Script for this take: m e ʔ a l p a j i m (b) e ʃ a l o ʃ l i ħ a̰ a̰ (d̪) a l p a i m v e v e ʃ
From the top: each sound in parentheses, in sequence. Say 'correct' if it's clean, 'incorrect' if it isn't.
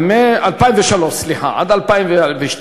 incorrect: v, correct

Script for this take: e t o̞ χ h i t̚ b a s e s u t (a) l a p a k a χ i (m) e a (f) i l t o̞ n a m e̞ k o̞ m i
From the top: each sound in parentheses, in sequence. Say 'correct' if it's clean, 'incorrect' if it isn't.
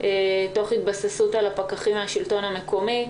correct, correct, incorrect: ʃ

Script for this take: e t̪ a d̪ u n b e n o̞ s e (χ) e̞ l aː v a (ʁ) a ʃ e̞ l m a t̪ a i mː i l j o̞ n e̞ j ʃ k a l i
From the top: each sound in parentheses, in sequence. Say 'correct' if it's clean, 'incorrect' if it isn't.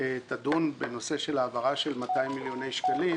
incorrect: ʃ, correct

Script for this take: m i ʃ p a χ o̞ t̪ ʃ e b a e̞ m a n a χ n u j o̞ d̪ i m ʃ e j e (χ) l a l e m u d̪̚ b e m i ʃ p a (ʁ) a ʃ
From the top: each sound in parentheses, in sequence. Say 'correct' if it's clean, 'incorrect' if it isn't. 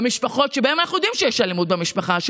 incorrect: ʃ, incorrect: χ

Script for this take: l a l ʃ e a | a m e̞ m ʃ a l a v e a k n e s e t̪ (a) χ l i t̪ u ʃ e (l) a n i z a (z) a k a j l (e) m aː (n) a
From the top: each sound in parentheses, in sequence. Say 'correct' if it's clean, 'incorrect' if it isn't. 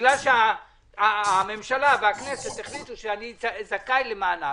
incorrect: e, incorrect: none, correct, correct, correct

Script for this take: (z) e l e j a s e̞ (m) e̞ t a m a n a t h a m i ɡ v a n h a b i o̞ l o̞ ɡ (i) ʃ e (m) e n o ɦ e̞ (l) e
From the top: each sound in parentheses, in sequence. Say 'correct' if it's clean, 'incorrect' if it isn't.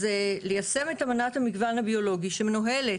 correct, correct, correct, correct, correct

